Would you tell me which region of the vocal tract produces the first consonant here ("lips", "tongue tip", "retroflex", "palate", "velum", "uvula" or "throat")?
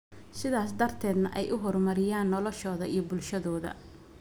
tongue tip